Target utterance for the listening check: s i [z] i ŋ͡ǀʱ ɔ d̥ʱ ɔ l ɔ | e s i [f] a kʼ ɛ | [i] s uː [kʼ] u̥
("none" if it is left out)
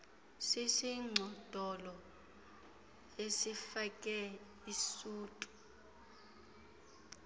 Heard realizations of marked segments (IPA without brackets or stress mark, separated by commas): s, f, i, tʼ